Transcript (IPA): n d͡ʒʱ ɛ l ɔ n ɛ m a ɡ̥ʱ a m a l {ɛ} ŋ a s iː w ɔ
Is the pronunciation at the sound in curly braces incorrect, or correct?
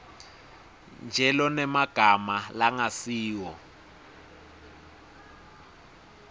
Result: incorrect: a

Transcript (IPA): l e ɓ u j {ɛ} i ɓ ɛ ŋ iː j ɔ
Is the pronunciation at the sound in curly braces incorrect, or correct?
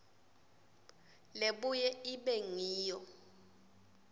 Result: correct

